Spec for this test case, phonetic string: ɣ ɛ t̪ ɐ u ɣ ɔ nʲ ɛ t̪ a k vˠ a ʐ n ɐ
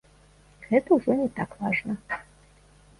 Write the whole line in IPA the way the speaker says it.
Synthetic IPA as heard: ɣ ɛ t̪ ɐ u ʐ ɔ nʲ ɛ t̪ a k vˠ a ʐ n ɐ